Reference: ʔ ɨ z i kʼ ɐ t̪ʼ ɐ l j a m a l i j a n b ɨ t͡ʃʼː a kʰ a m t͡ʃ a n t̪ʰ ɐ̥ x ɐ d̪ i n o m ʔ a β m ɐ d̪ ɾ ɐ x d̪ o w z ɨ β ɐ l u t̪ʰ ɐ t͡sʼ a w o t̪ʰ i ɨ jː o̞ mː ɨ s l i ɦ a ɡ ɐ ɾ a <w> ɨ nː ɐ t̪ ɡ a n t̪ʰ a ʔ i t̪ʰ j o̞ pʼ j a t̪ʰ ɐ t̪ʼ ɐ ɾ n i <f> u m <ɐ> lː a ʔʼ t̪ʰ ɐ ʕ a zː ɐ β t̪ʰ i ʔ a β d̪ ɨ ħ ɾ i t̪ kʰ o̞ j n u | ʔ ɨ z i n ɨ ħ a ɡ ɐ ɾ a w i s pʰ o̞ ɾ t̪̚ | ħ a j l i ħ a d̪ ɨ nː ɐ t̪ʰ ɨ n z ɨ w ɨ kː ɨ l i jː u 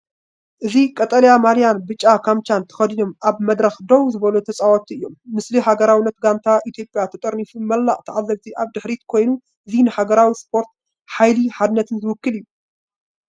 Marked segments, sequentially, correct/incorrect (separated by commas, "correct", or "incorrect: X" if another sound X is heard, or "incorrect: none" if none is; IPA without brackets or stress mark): correct, correct, correct